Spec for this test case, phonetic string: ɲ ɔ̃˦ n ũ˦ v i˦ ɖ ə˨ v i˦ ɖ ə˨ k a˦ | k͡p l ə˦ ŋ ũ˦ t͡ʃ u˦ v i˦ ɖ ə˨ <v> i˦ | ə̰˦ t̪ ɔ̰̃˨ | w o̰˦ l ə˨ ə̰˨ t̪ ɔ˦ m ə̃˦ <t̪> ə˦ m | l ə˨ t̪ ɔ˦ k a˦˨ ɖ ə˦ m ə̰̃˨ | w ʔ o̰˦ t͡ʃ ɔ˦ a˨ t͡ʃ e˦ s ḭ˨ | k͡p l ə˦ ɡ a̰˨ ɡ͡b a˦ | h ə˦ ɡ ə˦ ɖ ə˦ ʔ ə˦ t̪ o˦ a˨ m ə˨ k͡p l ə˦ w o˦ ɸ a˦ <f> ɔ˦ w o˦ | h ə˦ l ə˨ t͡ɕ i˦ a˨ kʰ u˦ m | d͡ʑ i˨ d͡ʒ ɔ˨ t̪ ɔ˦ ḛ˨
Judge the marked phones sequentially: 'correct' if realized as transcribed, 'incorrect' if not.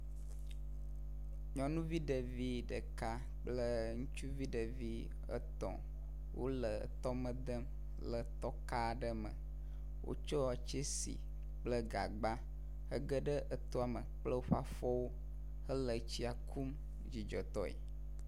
correct, incorrect, correct

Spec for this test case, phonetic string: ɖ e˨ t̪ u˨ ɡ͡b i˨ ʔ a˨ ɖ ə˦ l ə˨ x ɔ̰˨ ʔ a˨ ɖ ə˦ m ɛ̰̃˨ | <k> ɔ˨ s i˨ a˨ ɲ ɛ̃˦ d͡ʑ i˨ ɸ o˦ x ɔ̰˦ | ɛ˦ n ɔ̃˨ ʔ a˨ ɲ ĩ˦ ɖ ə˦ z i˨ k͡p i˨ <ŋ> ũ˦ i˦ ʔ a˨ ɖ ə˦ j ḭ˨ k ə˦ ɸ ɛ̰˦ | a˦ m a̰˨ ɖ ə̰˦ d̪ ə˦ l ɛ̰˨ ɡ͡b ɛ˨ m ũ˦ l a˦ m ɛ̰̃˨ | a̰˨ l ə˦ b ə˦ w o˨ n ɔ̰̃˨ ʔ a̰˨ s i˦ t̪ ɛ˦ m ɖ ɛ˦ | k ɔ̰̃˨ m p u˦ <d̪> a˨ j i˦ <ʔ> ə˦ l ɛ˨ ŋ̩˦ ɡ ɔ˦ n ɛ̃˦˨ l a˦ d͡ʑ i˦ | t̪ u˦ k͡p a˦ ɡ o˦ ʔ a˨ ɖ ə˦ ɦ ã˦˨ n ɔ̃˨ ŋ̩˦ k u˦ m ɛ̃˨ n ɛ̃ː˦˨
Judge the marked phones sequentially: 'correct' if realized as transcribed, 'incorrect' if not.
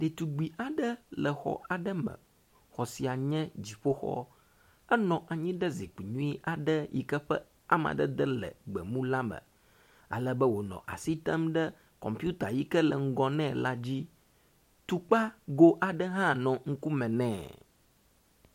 incorrect, incorrect, incorrect, incorrect

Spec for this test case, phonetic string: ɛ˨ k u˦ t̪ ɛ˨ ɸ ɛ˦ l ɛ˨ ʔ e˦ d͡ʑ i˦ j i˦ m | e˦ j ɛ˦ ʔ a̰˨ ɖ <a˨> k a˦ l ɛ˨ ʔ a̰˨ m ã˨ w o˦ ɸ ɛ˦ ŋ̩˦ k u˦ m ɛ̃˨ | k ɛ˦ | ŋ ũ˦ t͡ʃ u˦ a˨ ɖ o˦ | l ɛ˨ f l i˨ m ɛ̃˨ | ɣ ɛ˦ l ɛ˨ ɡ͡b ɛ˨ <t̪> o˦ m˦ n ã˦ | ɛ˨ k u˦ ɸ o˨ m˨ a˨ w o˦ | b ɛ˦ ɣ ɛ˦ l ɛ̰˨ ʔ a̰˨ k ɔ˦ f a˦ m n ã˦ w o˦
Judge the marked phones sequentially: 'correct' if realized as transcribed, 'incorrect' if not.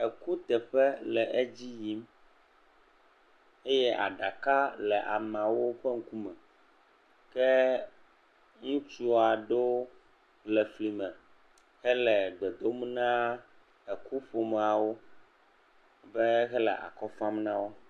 correct, incorrect

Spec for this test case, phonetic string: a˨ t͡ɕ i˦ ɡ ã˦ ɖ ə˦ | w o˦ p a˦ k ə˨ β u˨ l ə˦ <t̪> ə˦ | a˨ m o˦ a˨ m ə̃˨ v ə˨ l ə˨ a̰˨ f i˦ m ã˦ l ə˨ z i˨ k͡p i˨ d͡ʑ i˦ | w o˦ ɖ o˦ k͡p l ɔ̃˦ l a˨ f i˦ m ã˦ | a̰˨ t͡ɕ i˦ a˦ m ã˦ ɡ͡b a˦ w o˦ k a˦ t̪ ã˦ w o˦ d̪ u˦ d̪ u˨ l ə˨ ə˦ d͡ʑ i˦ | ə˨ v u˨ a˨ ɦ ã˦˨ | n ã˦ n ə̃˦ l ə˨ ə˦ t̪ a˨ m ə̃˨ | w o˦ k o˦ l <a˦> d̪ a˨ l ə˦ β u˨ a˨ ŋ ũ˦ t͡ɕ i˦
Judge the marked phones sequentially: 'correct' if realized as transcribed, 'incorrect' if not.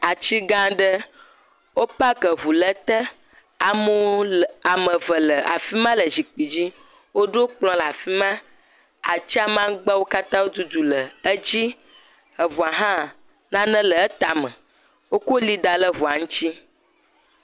correct, incorrect

